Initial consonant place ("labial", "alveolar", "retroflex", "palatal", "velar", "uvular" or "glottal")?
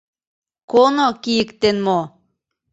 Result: velar